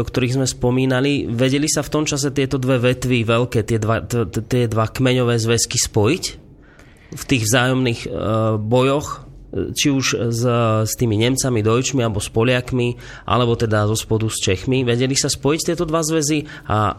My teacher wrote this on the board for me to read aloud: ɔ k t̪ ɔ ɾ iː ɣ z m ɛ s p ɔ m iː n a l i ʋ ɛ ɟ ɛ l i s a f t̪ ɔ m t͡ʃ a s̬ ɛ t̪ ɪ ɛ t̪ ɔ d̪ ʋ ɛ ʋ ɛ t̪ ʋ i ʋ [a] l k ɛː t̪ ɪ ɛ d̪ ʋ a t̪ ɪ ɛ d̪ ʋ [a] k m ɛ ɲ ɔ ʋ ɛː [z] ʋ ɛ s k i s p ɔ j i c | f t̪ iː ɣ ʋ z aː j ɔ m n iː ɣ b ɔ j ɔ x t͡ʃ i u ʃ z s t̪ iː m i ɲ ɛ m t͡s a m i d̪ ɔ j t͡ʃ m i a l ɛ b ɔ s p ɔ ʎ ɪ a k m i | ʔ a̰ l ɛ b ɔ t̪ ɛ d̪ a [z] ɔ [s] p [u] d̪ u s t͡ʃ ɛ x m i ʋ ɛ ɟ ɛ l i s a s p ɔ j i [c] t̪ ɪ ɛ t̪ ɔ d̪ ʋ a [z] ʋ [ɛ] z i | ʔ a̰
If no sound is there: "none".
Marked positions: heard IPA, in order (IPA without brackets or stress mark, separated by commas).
ɛ, a, z, z, s, ɔ, c, z, ɛ